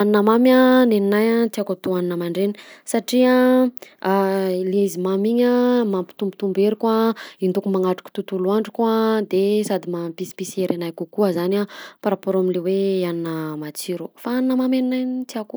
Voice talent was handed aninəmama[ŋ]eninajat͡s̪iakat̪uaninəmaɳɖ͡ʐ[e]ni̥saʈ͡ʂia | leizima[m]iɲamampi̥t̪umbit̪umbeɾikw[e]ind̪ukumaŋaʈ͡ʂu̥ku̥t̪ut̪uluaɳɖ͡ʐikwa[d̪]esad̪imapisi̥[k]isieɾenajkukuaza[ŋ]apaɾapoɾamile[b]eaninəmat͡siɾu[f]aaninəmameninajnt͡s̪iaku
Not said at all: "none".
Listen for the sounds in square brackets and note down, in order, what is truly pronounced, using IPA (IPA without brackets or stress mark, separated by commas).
n, e, m, a, d̪, p, n, w, f